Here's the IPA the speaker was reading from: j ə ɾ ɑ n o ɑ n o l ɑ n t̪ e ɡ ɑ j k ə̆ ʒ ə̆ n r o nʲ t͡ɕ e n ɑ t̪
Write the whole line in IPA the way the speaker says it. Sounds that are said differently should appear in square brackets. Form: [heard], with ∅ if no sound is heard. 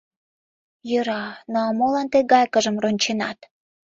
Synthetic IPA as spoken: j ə ɾ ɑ n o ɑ [m] o l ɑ n t̪ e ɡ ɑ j k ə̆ ʒ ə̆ [m] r o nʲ t͡ɕ e n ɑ t̪